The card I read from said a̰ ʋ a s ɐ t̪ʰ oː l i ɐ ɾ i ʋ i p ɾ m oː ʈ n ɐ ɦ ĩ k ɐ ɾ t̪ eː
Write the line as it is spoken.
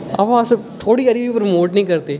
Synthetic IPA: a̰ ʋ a s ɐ t̪ʰ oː ɽ i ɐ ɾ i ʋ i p ɾ m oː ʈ n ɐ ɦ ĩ k ɐ ɾ t̪ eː